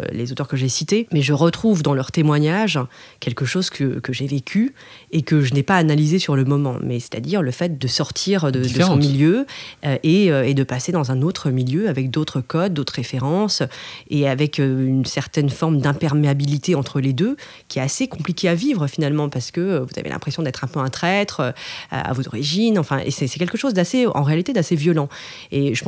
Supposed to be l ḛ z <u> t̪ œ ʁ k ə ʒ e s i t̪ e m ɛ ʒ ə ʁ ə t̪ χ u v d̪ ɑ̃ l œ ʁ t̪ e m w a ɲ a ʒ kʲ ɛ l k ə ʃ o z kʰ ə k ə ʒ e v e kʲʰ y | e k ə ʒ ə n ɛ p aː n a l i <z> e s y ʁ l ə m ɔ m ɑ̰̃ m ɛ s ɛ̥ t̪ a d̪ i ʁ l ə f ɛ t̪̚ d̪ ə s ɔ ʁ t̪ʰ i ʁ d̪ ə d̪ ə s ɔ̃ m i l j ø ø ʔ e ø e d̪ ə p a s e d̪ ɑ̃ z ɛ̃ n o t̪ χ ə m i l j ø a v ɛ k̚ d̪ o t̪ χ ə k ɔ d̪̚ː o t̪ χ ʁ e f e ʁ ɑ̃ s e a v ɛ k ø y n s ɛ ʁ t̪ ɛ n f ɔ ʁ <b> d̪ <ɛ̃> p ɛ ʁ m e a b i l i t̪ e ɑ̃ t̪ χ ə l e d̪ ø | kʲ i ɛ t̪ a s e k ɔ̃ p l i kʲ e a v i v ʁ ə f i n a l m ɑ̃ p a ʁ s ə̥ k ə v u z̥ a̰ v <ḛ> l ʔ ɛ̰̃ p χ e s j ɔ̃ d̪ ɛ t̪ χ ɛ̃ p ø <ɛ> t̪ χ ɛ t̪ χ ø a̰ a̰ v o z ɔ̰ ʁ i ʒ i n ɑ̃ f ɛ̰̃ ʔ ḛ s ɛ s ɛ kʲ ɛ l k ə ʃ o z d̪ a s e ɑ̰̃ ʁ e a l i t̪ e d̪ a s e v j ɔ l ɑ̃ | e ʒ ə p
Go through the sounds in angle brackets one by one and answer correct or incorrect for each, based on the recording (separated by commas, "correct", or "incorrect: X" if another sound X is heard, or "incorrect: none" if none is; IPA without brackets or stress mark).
incorrect: o, correct, incorrect: m, correct, correct, incorrect: ɛ̃